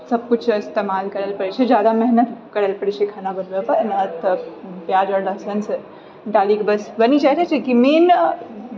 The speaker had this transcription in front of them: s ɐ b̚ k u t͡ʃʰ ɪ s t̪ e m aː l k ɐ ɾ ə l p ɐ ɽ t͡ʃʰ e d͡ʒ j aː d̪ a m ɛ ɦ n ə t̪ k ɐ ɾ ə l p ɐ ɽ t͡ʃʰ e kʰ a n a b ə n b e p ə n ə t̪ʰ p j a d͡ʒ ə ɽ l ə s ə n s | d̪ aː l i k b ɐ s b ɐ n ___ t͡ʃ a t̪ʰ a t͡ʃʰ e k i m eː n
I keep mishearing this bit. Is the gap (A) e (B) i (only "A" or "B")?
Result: B